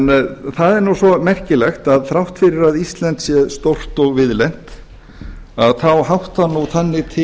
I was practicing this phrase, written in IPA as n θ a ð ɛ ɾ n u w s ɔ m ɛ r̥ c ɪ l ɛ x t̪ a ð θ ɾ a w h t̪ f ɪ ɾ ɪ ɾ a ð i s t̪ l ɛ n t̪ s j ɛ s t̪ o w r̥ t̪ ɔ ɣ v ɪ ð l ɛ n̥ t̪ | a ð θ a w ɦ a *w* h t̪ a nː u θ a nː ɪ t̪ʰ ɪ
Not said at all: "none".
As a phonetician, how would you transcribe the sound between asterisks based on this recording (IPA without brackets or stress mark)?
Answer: w